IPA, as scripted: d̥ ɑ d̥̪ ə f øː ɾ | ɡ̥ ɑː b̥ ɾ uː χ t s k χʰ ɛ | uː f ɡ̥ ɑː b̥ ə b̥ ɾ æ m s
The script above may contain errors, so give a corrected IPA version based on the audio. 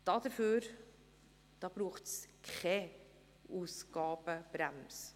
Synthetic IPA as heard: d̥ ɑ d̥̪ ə f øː ɾ | d̥ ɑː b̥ ɾ uː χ t s k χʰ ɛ | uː s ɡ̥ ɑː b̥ ə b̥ ɾ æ m s